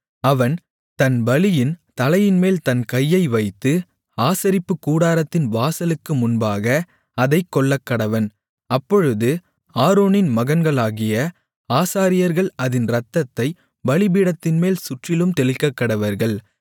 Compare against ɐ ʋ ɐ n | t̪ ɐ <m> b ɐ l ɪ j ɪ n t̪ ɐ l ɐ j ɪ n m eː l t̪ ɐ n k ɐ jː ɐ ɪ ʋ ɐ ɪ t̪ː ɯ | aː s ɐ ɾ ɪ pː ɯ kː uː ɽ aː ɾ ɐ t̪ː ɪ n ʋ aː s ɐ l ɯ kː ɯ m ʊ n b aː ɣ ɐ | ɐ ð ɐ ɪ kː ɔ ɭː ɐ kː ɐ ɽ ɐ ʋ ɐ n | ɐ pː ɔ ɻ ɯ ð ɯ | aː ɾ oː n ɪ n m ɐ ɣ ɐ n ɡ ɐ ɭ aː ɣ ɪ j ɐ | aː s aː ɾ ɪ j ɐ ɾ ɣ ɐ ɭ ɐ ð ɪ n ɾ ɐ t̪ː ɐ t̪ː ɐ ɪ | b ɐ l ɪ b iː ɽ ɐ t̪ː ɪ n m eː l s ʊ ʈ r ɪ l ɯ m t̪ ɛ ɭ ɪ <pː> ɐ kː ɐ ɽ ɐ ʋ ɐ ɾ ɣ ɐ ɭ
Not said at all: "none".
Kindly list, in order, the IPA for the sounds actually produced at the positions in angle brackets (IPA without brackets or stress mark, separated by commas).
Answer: n, kː